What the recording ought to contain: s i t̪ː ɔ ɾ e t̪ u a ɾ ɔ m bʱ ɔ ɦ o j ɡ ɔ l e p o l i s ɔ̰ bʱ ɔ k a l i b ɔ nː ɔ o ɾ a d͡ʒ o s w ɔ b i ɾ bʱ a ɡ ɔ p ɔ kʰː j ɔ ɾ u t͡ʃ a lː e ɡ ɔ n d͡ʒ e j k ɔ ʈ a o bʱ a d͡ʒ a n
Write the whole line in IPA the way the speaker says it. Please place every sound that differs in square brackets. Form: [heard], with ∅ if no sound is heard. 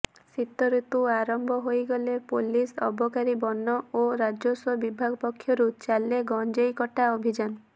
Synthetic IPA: s i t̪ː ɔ ɾ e t̪ u a ɾ ɔ m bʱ ɔ ɦ o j ɡ ɔ l e p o l i s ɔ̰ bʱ ɔ k a [ɾ] i b ɔ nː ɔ o ɾ a d͡ʒ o s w ɔ b i [∅] bʱ a ɡ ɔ p ɔ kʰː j ɔ ɾ u t͡ʃ a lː e ɡ ɔ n d͡ʒ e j k ɔ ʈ a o bʱ [i] d͡ʒ a n